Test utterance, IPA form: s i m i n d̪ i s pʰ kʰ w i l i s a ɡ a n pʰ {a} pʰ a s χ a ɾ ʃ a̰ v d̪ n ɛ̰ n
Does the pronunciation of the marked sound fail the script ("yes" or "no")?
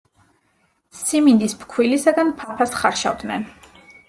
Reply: no